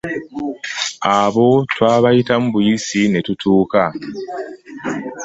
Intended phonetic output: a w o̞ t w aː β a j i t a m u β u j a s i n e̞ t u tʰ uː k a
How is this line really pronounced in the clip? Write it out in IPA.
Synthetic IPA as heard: a β o̞ t w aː β a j i t a m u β u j i s i n e̞ t u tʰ uː k a